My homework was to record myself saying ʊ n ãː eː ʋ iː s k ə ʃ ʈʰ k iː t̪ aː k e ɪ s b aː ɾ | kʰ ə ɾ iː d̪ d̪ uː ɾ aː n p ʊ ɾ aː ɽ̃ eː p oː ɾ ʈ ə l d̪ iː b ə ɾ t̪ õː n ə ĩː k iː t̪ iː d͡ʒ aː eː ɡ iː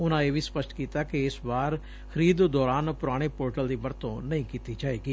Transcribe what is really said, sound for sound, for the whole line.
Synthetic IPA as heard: ʊ n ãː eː ʋ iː s p ə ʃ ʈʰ k iː t̪ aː k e ɪ s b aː ɾ | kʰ ə ɾ iː d̪ d̪ ɔː ɾ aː n p ʊ ɾ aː ɽ̃ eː p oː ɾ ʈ ə l d̪ iː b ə ɾ t̪ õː n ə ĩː k iː t̪ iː d͡ʒ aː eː ɡ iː